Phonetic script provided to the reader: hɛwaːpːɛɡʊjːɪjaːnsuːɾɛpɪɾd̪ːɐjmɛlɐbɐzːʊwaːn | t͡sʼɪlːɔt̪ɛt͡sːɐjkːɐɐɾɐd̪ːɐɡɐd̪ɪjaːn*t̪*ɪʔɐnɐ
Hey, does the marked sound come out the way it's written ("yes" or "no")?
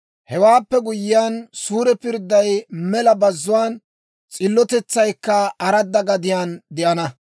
no